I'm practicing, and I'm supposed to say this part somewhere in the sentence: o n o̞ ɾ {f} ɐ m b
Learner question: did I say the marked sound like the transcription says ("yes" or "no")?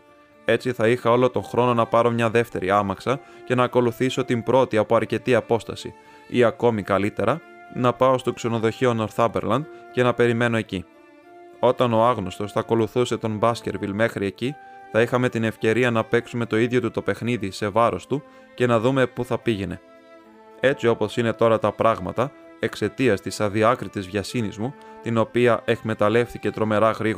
no